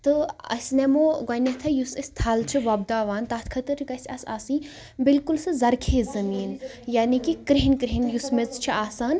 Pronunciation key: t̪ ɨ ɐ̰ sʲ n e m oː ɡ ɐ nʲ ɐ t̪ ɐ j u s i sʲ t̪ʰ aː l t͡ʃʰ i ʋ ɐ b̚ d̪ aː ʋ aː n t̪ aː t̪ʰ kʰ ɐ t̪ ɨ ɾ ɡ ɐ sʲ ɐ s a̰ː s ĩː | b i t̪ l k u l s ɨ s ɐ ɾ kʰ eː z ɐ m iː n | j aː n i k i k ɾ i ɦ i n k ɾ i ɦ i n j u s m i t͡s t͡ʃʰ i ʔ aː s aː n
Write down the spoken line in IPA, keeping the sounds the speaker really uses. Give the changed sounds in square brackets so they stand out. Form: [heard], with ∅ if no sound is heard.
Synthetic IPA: t̪ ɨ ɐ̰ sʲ n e m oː ɡ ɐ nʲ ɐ [t̪ʰ] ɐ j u s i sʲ t̪ʰ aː l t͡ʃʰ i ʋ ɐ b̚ d̪ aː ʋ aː n t̪ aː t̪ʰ kʰ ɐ t̪ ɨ ɾ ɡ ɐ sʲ ɐ s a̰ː s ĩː | b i [∅] l k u l s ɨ [z] ɐ ɾ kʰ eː z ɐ m iː n | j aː n i k i k ɾ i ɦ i n k ɾ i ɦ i n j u s m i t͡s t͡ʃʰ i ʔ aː s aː n